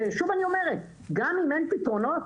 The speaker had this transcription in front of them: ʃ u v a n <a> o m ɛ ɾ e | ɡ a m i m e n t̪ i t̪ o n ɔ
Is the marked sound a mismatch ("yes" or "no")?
yes